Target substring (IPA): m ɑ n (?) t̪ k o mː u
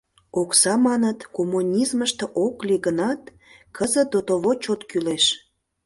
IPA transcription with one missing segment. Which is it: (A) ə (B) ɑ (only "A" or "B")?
A